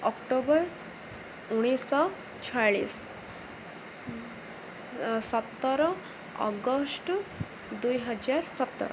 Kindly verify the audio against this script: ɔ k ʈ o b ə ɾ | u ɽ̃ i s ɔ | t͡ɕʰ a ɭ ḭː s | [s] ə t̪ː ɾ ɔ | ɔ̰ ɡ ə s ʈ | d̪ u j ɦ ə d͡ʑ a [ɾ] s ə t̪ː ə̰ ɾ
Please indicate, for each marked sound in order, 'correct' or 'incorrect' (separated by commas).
correct, correct